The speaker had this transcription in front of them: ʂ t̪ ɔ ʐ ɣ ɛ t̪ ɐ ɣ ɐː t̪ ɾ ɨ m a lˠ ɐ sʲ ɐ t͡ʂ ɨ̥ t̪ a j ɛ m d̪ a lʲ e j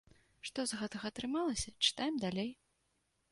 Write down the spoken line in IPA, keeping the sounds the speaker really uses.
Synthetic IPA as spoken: ʂ t̪ ɔ z ɣ ɛ t̪ ɐ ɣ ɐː t̪ ɾ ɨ m a lˠ ɐ sʲ ɐ t͡ʂ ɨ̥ t̪ a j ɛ m d̪ a lʲ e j

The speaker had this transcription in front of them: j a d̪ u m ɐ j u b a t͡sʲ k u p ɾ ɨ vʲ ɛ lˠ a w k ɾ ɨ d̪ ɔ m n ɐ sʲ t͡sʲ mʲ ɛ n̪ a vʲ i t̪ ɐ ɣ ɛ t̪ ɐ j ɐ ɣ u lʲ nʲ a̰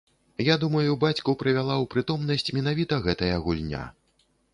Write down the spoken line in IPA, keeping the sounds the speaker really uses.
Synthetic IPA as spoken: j a d̪ u m ɐ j u b a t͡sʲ k u p ɾ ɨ vʲ a lˠ a w p ɾ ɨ t̪ ɔ m n ɐ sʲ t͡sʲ mʲ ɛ n̪ a vʲ i t̪ ɐ ɣ ɛ t̪ ɐ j ɐ ɣ u lʲ nʲ a̰

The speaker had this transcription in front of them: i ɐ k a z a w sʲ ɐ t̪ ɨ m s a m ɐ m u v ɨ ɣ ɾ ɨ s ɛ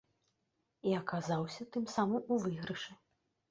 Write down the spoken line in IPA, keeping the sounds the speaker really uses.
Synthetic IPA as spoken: i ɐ k a z a w sʲ ɐ t̪ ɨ m s a m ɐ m u v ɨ ɣ ɾ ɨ ʂ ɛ

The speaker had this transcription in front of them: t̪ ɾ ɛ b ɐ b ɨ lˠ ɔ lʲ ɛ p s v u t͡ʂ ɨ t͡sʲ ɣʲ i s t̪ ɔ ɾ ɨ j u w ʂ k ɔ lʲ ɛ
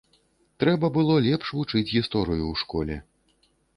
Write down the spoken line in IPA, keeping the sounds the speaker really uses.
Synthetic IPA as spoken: t̪ ɾ ɛ b ɐ b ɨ lˠ ɔ lʲ ɛ p ʂ v u t͡ʂ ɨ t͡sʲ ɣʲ i s t̪ ɔ ɾ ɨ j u w ʂ k ɔ lʲ ɛ

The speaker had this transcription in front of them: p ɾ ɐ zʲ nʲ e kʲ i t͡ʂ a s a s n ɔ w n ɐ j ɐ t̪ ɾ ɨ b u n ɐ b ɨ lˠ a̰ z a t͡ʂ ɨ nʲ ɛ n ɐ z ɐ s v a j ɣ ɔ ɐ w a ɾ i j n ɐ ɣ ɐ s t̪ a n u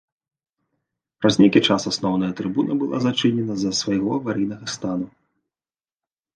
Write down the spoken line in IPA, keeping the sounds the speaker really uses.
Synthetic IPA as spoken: p ɾ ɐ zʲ nʲ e kʲ i t͡ʂ a s a s n ɔ w n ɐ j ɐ t̪ ɾ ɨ b u n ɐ b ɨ lˠ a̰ z a t͡ʂ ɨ nʲ ɛ n ɐ z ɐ s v a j ɣ ɔ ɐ v a ɾ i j n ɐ ɣ ɐ s t̪ a n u

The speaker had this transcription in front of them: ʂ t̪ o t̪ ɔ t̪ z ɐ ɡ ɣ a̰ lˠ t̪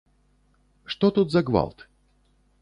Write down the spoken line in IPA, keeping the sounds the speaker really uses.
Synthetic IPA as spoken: ʂ t̪ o t̪ u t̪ z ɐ ɡ v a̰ lˠ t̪

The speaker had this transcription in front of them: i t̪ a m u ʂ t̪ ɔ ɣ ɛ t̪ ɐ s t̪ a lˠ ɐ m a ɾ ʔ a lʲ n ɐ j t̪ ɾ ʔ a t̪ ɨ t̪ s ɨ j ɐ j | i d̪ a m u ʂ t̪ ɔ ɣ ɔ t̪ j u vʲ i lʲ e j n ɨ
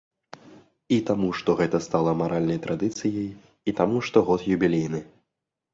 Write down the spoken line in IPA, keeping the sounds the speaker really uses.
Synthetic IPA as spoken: i t̪ a m u ʂ t̪ ɔ ɣ ɛ t̪ ɐ s t̪ a lˠ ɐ m a ɾ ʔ a lʲ n ɐ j t̪ ɾ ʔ a d̪ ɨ t̪ s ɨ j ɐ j | i t̪ a m u ʂ t̪ ɔ ɣ ɔ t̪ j u bʲ i lʲ e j n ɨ

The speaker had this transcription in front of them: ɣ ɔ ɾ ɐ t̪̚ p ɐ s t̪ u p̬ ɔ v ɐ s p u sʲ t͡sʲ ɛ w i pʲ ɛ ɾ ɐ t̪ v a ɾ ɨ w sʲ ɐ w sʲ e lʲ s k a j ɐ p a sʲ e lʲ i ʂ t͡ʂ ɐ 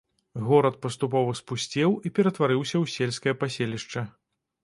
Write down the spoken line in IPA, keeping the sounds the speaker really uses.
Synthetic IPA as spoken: ɣ ɔ ɾ ɐ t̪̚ p ɐ s t̪ u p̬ ɔ v ɐ s p u sʲ t͡sʲ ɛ w i pʲ ɛ ɾ ɐ t̪ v a ɾ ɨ w sʲ ɐ w sʲ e lʲ s k ɐ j ɐ p a sʲ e lʲ i ʂ t͡ʂ ɐ

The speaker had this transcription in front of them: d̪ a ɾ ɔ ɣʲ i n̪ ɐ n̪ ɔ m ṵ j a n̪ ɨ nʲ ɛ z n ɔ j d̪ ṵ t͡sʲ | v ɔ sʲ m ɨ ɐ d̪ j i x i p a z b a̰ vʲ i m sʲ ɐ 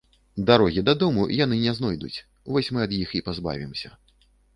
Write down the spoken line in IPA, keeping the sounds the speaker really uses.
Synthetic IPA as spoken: d̪ a ɾ ɔ ɣʲ i d̪ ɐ d̪ ɔ m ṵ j a n̪ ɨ nʲ ɛ z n ɔ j d̪ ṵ t͡sʲ | v ɔ sʲ m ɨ ɐ d̪ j i x i p a z b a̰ vʲ i m sʲ ɐ

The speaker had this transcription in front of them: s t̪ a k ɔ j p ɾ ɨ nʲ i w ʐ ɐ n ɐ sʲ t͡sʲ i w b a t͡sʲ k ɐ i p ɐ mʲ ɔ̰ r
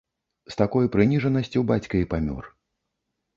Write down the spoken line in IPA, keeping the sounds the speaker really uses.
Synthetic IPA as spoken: s t̪ a k ɔ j p ɾ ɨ nʲ i ʐ ɐ n ɐ sʲ t͡sʲ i w b a t͡sʲ k ɐ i p a mʲ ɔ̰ r

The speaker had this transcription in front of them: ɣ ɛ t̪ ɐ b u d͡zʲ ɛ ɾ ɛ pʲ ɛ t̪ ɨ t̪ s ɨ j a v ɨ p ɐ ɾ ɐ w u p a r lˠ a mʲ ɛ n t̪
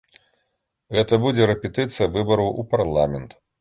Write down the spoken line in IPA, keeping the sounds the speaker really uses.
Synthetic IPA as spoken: ɣ ɛ t̪ ɐ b u d͡zʲ ɛ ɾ ɛ pʲ ɛ t̪ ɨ t̪ s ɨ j ɐ v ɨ b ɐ ɾ ɐ w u p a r lˠ a mʲ ɛ n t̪

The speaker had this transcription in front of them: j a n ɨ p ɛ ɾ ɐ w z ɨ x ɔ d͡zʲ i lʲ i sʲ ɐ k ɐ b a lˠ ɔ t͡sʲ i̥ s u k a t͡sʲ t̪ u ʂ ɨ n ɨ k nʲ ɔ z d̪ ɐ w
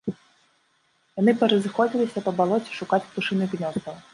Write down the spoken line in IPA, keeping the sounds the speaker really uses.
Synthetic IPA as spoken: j a n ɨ p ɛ ɾ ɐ z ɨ x ɔ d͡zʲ i lʲ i sʲ ɐ p ɐ b a lˠ ɔ t͡sʲ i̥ ʂ u k a t͡sʲ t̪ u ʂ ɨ n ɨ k nʲ ɔ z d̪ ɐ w

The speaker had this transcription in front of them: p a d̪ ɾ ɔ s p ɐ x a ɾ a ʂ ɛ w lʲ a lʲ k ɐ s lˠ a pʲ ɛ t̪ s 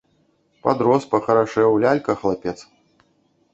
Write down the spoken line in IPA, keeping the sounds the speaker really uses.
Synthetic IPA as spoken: p a d̪ ɾ ɔ s p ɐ x ɐ ɾ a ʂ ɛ w lʲ a lʲ k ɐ x lˠ a pʲ ɛ t̪ s

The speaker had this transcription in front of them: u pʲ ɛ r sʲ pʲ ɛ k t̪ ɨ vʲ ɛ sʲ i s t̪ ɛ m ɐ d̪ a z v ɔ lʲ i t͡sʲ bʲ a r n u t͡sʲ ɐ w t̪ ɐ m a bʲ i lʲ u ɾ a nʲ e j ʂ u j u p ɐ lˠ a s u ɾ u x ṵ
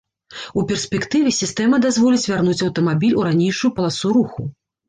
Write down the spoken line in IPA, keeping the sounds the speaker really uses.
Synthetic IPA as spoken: u pʲ ɛ r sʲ pʲ ɛ k t̪ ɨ vʲ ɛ sʲ i s t̪ ɛ m ɐ d̪ a z v ɔ lʲ i t͡sʲ vʲ a r n u t͡sʲ ɐ w t̪ ɐ m a bʲ i lʲ u ɾ a nʲ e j ʂ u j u p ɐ lˠ a s u ɾ u x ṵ

